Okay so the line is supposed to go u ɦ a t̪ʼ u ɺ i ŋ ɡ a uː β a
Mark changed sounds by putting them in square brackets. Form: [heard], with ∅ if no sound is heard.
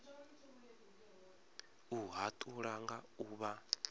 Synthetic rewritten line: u ɦ a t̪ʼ u ɺ [a] ŋ ɡ a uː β a